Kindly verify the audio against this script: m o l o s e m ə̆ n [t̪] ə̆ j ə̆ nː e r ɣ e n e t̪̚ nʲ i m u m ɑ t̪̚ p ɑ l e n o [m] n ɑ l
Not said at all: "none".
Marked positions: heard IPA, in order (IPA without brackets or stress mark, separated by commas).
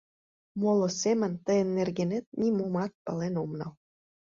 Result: t̪, m